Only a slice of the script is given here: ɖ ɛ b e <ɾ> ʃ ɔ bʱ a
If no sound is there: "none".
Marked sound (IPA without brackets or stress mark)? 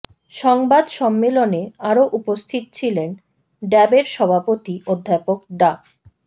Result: ɾ